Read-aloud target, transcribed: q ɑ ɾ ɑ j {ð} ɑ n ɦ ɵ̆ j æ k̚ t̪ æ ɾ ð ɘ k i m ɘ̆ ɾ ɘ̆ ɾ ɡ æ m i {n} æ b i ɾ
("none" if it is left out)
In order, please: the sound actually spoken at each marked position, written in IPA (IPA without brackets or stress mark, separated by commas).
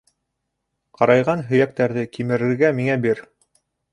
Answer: ʁ, ŋ